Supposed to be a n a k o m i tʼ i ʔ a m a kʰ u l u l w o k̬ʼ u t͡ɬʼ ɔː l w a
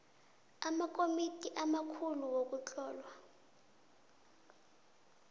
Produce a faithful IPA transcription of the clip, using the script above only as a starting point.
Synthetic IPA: a m a k o m i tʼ i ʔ a m a kʰ u l u w o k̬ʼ u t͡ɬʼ ɔː l w a